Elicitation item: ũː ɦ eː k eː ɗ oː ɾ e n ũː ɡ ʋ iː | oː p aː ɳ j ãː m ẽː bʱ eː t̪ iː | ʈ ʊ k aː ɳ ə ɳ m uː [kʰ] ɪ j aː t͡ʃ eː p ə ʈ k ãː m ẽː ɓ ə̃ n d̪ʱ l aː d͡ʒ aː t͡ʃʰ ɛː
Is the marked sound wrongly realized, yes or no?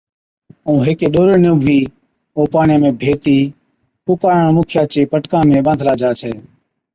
no